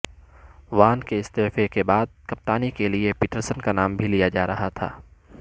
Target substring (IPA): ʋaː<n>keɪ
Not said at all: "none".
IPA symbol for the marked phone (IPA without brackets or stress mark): n